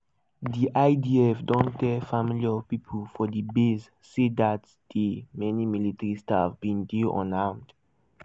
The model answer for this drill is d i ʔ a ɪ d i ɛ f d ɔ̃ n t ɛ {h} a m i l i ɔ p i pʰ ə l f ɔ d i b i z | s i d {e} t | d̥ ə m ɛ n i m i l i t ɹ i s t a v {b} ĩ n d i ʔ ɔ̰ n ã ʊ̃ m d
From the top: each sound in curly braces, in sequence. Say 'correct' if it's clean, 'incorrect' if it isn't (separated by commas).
incorrect, incorrect, correct